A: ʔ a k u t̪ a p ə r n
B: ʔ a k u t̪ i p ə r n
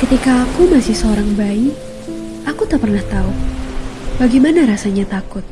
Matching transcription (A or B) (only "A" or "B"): A